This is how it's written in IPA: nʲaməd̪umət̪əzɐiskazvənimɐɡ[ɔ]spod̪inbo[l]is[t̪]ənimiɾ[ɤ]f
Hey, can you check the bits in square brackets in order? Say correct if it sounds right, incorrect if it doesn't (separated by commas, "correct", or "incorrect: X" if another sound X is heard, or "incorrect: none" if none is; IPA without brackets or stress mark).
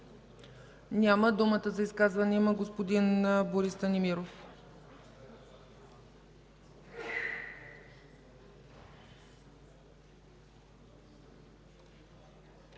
incorrect: o, incorrect: ɾ, correct, incorrect: o